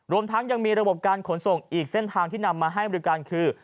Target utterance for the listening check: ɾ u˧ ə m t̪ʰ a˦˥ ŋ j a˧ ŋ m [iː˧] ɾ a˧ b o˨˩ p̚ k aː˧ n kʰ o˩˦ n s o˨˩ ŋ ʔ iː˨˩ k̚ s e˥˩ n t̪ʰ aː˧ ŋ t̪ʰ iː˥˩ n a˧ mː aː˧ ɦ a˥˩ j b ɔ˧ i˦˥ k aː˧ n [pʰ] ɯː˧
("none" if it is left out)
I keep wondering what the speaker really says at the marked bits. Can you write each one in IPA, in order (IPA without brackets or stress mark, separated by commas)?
iː˧, kʰ